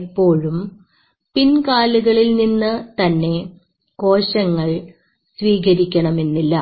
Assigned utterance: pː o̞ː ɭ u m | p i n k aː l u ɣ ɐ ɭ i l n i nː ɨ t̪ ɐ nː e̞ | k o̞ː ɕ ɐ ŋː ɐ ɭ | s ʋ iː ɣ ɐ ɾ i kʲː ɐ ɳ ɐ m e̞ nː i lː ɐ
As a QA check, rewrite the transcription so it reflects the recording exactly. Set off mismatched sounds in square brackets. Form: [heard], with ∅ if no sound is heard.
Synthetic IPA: pː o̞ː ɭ u m | p i n k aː l u ɣ ɐ ɭ i l n i nː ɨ t̪ ɐ nː e̞ | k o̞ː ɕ ɐ ŋː ɐ ɭ | s ʋ iː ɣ ɐ ɾ i kʲː ɐ ɳ ɐ m e̞ nː i lː ɐ